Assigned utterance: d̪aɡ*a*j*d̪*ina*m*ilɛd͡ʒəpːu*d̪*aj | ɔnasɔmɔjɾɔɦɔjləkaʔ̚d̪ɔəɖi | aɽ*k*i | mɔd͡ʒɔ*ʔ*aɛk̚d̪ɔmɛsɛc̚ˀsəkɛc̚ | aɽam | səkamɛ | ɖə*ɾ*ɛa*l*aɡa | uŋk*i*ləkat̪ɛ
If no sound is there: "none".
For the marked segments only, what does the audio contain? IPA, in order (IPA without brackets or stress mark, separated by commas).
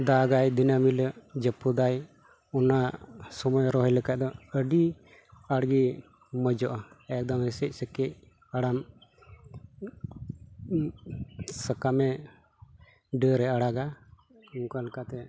a, d̪, m, d̪, ɡ, ʔ, ɾ, ɽ, a